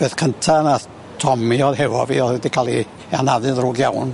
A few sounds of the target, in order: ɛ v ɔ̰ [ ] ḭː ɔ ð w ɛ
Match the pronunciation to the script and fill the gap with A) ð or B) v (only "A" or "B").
B